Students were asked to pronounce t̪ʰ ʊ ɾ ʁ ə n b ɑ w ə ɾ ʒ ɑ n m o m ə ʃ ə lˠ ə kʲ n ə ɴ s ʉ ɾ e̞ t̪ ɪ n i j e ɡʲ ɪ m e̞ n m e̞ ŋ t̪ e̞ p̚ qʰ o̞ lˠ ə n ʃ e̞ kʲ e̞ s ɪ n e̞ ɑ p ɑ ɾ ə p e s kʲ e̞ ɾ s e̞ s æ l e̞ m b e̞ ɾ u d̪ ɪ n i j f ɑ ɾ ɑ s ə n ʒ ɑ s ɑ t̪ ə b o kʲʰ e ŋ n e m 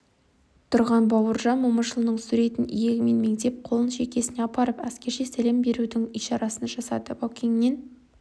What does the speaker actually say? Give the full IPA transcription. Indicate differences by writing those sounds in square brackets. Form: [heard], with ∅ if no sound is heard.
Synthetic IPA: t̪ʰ ʊ ɾ ʁ [ɑ] n b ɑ w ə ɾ ʒ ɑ n m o m ə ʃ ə lˠ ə [∅] n ə ɴ s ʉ ɾ e̞ t̪ ɪ n i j e ɡʲ ɪ m e̞ n m e̞ ŋ t̪ e̞ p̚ qʰ o̞ lˠ ə n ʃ e̞ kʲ e̞ s ɪ n e̞ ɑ p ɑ ɾ ə p [æ] s kʲ e̞ ɾ [ʃ] e̞ s æ l e̞ m b e̞ ɾ u d̪ ɪ [ŋ] i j [ʃ] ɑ ɾ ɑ s ə n ʒ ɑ s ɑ [d̪] ə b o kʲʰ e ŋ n e [n]

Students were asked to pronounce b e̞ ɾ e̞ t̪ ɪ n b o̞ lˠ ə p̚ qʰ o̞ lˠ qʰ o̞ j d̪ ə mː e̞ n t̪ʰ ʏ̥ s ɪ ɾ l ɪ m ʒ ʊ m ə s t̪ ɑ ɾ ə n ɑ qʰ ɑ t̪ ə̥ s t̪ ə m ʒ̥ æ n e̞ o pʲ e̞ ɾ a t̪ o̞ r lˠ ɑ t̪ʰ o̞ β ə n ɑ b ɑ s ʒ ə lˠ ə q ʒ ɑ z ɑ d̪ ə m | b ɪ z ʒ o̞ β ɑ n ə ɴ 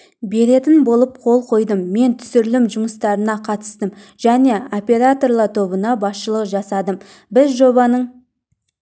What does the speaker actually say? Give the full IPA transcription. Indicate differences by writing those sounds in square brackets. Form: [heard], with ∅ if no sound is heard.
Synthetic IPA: b e̞ ɾ e̞ t̪ ɪ n b o̞ lˠ ə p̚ qʰ o̞ lˠ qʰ o̞ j d̪ ə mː e̞ n t̪ʰ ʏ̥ s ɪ ɾ l ɪ m ʒ ʊ m ə s t̪ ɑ ɾ ə n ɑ qʰ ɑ t̪ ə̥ s t̪ ə m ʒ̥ æ n e̞ o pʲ e̞ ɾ a t̪ o̞ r lˠ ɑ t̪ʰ o̞ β ə n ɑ b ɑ s [ʃ] ə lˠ ə q ʒ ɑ [s] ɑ d̪ ə m | b ɪ z ʒ o̞ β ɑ n ə ɴ

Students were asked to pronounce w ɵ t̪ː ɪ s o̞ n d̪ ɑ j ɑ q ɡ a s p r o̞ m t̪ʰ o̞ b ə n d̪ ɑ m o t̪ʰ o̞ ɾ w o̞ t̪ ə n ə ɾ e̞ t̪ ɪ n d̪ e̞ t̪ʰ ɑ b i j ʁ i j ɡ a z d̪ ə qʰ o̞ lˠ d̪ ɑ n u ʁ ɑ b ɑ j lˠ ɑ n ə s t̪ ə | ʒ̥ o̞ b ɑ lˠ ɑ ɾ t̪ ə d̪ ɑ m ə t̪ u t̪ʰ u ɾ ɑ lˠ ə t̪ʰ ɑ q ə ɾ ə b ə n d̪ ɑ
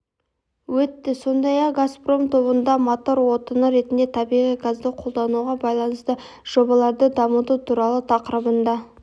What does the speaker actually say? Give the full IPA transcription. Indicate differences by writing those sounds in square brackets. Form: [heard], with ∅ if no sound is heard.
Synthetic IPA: w ɵ t̪ː ɪ s o̞ n d̪ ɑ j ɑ q ɡ a s p r o̞ m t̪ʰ o̞ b ə n d̪ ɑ m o [t̪] o̞ ɾ w o̞ t̪ ə n ə ɾ e̞ t̪ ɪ n d̪ e̞ t̪ʰ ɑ b i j ʁ i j ɡ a z d̪ ə qʰ o̞ lˠ d̪ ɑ n u ʁ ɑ b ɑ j lˠ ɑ n ə s t̪ ə | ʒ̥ o̞ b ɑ lˠ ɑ ɾ [d̪] ə d̪ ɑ m ə t̪ u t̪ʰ u ɾ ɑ lˠ ə t̪ʰ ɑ q ə ɾ ə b ə n d̪ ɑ

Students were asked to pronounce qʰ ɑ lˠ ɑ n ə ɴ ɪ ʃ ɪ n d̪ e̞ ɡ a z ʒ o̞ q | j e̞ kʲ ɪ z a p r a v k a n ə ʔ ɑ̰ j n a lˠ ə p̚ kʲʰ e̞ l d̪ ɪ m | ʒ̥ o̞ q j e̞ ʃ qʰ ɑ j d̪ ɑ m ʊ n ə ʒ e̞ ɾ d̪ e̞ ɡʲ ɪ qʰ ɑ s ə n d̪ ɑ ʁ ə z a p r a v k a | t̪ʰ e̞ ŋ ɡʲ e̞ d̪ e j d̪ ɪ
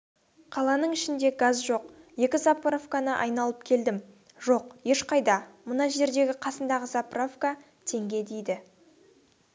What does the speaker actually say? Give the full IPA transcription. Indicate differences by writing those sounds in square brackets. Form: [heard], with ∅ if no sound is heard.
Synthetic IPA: qʰ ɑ lˠ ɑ n ə ɴ ɪ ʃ ɪ n d̪ e̞ ɡ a z ʒ o̞ q | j e̞ kʲ ɪ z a p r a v k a n ə ʔ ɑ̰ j n [ɑ] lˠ ə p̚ kʲʰ e̞ l d̪ ɪ m | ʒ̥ o̞ q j e̞ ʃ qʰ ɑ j d̪ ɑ m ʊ n [ɑ] ʒ e̞ ɾ d̪ e̞ ɡʲ ɪ qʰ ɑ s ə n d̪ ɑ ʁ ə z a p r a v k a | t̪ʰ e̞ ŋ ɡʲ e̞ d̪ e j d̪ ɪ

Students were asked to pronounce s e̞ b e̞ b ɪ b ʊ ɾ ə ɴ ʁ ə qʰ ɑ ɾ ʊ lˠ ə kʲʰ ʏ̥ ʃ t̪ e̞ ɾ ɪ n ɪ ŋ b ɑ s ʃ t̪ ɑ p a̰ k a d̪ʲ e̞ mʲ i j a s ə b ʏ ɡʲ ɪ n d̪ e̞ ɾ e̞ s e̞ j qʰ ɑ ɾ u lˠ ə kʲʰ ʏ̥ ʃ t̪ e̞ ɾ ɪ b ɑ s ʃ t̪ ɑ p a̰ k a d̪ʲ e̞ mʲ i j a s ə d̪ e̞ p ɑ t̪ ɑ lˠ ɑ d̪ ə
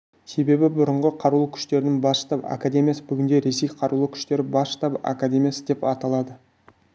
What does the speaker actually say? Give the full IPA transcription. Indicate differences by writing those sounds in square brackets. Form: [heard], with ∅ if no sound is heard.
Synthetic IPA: s e̞ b e̞ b ɪ b ʊ ɾ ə ɴ ʁ ə qʰ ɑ ɾ [u] lˠ ə kʲʰ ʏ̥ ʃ t̪ e̞ ɾ ɪ n ɪ ŋ b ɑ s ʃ t̪ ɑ p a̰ k a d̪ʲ e̞ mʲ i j a s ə b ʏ ɡʲ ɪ n d̪ e̞ ɾ e̞ s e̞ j qʰ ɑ ɾ u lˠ ə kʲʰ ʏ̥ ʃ t̪ e̞ ɾ ɪ b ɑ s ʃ t̪ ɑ p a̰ k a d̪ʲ e̞ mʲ i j a s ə d̪ e̞ p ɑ t̪ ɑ lˠ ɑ d̪ ə

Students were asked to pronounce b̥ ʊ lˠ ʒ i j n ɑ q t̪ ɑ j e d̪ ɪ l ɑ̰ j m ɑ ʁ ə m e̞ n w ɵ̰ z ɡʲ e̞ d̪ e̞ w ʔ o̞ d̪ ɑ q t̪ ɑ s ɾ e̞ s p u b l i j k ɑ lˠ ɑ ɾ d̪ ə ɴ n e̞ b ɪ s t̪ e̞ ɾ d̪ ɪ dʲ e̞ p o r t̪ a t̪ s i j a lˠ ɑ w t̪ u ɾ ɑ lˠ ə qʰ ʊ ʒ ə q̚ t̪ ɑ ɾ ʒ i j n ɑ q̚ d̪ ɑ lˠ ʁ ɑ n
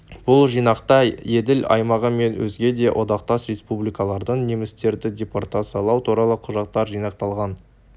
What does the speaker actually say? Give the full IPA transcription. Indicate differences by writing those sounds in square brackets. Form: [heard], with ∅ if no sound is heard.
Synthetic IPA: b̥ ʊ lˠ ʒ i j n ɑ q t̪ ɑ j e d̪ ɪ l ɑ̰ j m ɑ ʁ ə m e̞ n w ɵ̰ z ɡʲ e̞ d̪ e̞ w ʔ o̞ d̪ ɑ q t̪ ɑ s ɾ e̞ s p u b l i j k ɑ lˠ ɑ ɾ d̪ ə ɴ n e̞ [m] ɪ s t̪ e̞ ɾ d̪ ɪ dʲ e̞ p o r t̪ a t̪ s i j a lˠ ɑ w t̪ u ɾ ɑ lˠ ə qʰ ʊ ʒ [ɑ] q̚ t̪ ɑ ɾ ʒ i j n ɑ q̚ [t̪] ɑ lˠ ʁ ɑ n

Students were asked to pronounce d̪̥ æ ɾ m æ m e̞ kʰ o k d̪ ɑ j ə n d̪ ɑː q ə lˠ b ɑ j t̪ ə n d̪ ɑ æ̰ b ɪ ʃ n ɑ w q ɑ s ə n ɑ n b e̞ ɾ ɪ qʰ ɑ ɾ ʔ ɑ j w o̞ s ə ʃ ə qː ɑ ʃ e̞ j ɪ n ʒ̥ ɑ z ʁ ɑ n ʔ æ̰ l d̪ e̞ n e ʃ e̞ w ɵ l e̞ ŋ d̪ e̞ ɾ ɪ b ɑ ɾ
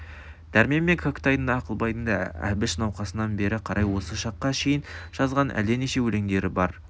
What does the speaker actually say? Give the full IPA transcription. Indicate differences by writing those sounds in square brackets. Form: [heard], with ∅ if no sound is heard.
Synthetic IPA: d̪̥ æ ɾ m [e] m e̞ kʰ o k [t̪] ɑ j ə n d̪ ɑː q ə lˠ b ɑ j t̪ ə n d̪ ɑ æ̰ b ɪ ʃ n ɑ w q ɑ s ə n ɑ n b e̞ ɾ ɪ qʰ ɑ ɾ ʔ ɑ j w o̞ s ə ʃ [ɑ] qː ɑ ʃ e̞ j ɪ n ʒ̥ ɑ z ʁ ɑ n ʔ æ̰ l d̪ e̞ n e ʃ e̞ w ɵ l e̞ ŋ d̪ e̞ ɾ ɪ b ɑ ɾ

